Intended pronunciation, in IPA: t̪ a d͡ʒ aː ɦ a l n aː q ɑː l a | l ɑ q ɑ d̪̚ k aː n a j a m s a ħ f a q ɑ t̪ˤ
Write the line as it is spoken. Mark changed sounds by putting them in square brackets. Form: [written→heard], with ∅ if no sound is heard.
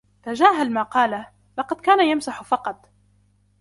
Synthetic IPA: t̪ a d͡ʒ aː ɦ a l [n→m] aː q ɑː l a | l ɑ q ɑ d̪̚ k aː n a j a m s a ħ f [a→ɑ] q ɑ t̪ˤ

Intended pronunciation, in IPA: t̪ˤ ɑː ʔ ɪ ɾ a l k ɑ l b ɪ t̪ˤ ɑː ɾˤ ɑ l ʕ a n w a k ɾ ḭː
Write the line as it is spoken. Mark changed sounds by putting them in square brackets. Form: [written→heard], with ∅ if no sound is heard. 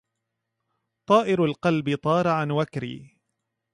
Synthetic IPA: t̪ˤ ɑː ʔ ɪ ɾ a l [k→q] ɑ l b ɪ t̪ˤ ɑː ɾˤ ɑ [l→∅] ʕ a n w a k ɾ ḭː

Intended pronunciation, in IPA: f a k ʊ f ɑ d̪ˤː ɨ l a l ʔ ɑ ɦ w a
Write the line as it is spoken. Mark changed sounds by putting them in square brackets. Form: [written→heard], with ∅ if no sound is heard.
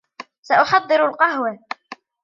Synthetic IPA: [f→s] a [k→ʔ] ʊ [f→ħ] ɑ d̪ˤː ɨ [l→ɾ] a l [ʔ→q] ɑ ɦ w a

